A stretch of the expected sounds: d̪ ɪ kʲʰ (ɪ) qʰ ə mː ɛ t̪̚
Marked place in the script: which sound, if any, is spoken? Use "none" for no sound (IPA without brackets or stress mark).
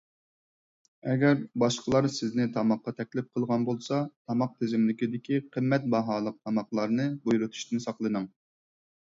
i